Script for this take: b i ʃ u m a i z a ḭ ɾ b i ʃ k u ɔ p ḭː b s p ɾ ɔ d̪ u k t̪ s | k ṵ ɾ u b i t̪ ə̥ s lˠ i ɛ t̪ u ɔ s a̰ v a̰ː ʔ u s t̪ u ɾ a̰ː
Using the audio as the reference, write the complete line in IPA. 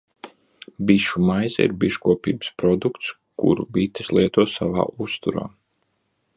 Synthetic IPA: b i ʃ u m a j z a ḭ ɾ b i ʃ k u ɔ p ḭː b s p ɾ ɔ d̪ u k t̪ s | k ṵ ɾ u b i t̪ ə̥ s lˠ i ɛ t̪ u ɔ s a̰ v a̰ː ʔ u s t̪ u ɾ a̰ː